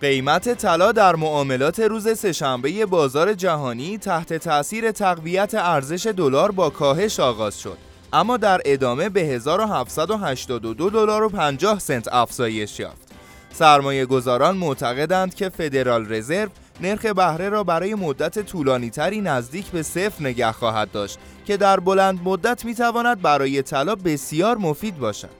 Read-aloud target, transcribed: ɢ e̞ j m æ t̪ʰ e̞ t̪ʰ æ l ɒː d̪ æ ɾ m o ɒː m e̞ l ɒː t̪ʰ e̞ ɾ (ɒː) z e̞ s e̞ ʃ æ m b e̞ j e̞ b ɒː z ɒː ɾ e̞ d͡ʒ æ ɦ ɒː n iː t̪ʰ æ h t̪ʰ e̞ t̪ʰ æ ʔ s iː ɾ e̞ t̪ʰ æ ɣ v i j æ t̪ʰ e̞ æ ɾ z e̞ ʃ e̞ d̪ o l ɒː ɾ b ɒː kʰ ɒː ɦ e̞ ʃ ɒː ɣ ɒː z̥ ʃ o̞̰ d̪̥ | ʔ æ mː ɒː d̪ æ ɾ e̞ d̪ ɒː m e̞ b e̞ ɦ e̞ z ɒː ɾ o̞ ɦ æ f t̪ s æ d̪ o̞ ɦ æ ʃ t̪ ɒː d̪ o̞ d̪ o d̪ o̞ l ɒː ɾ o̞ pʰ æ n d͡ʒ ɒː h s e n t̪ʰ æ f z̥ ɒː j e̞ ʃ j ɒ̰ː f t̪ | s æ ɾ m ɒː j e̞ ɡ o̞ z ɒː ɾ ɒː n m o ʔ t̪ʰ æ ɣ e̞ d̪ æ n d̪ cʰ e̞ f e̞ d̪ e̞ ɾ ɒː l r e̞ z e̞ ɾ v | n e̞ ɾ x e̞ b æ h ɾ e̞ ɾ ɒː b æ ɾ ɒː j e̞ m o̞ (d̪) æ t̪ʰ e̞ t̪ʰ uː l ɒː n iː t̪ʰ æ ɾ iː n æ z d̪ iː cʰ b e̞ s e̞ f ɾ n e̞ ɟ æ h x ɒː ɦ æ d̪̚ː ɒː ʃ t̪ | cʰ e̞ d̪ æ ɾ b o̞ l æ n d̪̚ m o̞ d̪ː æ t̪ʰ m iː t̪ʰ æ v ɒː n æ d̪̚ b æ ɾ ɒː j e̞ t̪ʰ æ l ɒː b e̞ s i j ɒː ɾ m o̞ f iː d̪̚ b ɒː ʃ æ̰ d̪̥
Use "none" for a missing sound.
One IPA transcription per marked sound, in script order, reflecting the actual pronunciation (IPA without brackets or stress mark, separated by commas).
uː, d̪ː